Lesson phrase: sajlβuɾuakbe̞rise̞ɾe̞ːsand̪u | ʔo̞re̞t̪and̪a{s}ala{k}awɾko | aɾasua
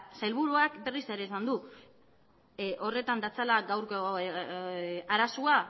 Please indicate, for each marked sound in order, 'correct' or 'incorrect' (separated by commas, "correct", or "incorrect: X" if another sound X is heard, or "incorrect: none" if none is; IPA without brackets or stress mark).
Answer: incorrect: t͡s, incorrect: ɡ